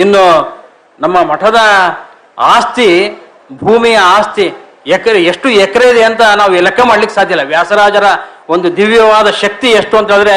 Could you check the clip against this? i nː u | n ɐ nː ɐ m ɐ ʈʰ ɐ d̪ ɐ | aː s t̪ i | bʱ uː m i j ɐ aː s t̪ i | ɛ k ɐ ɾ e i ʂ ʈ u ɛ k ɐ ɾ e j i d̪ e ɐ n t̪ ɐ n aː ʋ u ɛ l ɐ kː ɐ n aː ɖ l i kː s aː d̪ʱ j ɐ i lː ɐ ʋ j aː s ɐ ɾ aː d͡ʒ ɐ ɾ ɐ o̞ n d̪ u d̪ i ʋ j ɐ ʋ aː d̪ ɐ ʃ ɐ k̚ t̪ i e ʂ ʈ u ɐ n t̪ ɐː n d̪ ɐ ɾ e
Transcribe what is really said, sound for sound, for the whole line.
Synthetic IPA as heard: i nː u | n ɐ mː ɐ m ɐ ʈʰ ɐ d̪ ɐ | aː s t̪ i | bʱ uː m i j ɐ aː s t̪ i | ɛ k ɐ ɾ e e ʂ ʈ u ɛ k ɐ ɾ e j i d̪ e ɐ n t̪ ɐ n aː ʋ u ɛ l ɐ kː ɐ m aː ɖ l i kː s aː d̪ʱ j ɐ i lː ɐ ʋ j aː s ɐ ɾ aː d͡ʒ ɐ ɾ ɐ o̞ n d̪ u d̪ i ʋ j ɐ ʋ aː d̪ ɐ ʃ ɐ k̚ t̪ i e ʂ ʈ u ɐ n t̪ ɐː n d̪ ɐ ɾ e